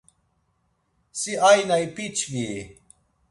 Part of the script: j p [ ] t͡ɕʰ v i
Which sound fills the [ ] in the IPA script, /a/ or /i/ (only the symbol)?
i